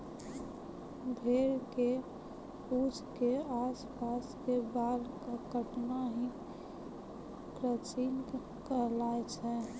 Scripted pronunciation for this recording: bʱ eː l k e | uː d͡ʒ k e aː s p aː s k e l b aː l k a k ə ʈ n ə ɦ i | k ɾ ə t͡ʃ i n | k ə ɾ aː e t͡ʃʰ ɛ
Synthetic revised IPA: bʱ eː ɾ k e | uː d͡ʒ k e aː s p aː s k e b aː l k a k ə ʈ n a ɦ i | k ɾ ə t͡ʃ i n | k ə l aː e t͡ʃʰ ɛ